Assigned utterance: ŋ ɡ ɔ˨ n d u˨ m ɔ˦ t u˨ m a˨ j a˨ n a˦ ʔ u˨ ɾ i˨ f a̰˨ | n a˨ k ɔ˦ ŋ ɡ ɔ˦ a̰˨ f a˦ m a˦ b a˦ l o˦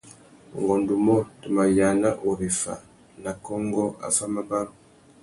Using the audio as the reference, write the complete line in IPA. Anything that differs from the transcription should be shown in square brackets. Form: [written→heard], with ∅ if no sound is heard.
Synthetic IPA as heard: ŋ ɡ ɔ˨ n d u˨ m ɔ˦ t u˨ m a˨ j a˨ n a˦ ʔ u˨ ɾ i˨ f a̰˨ | n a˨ k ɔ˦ ŋ ɡ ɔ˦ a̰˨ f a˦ m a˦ b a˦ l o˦